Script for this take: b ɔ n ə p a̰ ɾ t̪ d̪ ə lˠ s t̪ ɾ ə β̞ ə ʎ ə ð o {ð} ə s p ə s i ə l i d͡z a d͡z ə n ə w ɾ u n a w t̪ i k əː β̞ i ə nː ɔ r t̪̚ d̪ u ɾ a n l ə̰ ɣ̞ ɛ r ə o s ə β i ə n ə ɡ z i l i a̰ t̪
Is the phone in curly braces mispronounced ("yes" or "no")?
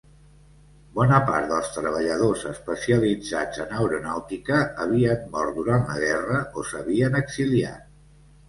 yes